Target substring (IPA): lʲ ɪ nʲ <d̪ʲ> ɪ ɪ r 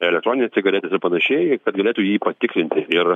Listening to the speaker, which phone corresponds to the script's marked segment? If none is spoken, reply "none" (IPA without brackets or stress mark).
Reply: t̪ʲ